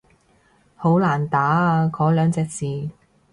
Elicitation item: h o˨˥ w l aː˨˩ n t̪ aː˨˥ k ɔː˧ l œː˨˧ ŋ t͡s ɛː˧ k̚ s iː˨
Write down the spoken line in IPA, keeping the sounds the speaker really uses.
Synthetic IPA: h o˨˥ w l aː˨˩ n t̪ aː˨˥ k ɔː˨˥ l œː˨˧ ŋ t͡s ɛː˧ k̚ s iː˨